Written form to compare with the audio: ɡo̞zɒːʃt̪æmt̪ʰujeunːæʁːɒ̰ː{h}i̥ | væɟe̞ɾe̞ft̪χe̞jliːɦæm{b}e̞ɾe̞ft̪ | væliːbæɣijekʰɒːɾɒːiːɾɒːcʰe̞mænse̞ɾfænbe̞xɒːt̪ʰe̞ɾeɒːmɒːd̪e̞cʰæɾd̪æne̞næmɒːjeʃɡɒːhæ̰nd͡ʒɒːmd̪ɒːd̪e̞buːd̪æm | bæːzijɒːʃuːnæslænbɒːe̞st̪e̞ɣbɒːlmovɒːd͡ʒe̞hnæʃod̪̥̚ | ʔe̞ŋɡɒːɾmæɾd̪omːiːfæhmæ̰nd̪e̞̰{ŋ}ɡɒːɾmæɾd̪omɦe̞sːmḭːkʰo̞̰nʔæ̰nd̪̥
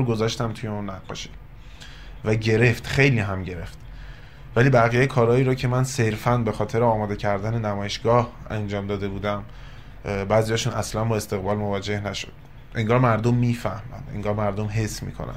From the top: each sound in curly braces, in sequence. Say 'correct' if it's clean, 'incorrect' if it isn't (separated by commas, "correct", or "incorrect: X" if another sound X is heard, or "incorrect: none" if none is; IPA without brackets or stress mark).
incorrect: ʃ, incorrect: ɟ, correct